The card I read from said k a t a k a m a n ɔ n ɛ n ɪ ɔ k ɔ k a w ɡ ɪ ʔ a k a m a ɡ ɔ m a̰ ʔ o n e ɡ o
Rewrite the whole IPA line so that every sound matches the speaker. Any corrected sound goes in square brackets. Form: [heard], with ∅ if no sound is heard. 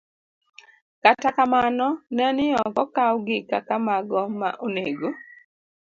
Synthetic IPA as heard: k a t a k a m a n ɔ n ɛ n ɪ ɔ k ɔ k a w ɡ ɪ [k] a k a m a ɡ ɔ m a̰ ʔ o n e ɡ o